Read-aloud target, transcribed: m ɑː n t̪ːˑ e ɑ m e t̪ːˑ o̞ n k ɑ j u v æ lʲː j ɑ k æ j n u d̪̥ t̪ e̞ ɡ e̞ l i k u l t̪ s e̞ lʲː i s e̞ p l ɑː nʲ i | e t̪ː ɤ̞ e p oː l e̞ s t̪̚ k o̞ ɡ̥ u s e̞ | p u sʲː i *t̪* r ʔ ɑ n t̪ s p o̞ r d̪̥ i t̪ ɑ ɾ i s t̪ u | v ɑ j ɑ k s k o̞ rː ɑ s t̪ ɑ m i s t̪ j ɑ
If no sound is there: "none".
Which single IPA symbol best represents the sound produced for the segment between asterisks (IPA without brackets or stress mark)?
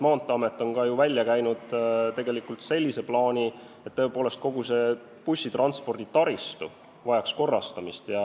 t̪